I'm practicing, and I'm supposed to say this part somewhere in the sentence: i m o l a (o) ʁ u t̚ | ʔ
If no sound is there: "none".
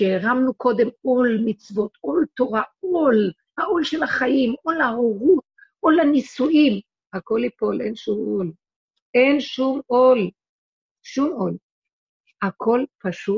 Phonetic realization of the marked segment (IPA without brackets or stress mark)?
o